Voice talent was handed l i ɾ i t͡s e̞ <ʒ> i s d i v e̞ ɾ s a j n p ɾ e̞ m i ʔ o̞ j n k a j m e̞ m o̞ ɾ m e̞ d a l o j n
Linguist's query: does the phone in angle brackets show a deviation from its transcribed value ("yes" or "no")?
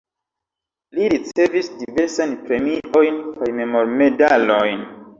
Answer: yes